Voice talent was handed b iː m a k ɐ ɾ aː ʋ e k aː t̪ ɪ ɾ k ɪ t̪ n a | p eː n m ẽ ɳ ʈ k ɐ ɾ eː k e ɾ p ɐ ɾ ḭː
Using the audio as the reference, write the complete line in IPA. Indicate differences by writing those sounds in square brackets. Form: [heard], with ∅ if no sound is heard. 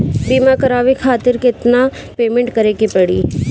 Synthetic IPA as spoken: b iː m a k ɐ ɾ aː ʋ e [kʰ] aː t̪ ɪ ɾ k ɪ t̪ n a | p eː [∅] m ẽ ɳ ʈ k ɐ ɾ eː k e [∅] p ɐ [ɽ] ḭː